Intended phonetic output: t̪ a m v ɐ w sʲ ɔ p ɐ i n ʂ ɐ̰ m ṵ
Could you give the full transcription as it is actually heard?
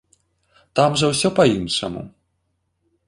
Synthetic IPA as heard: t̪ a m ʐ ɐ w sʲ ɔ p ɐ i n ʂ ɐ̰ m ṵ